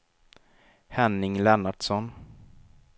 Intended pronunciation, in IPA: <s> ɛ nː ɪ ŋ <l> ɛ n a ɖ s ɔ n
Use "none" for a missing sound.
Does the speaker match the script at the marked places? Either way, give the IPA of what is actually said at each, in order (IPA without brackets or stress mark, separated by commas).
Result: h, l